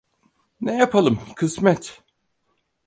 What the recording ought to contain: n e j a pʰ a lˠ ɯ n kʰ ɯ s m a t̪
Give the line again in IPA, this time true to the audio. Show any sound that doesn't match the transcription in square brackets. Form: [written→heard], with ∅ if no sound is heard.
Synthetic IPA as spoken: n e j a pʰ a lˠ ɯ [n→m] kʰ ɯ s m [a→ɛ] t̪